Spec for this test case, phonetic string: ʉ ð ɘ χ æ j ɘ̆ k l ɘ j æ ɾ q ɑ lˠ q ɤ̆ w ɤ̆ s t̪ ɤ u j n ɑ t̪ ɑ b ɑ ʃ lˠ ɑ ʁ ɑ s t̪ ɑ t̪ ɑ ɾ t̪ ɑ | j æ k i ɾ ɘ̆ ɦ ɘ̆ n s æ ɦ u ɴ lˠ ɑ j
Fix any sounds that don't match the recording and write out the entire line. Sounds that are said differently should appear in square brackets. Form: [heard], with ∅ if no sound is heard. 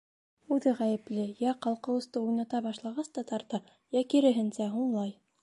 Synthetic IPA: ʉ ð ɘ [ʁ] æ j ɘ̆ [p] l ɘ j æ [∅] q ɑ lˠ q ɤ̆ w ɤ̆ s t̪ ɤ u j n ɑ t̪ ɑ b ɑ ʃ lˠ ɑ ʁ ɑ s t̪ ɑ t̪ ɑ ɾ t̪ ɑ | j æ k i ɾ ɘ̆ ɦ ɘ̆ n s æ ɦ u ɴ lˠ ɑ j